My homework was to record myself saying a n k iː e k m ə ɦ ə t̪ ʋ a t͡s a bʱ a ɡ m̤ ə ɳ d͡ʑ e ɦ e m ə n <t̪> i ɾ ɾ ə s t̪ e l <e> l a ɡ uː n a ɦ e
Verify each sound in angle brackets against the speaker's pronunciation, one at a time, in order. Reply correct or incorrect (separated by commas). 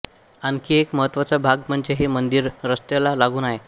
incorrect, incorrect